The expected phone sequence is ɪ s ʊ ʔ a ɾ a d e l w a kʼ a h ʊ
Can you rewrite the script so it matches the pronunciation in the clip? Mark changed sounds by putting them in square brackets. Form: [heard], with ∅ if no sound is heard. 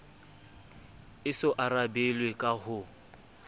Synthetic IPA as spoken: ɪ s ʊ ʔ a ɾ a [b] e l w [e] kʼ a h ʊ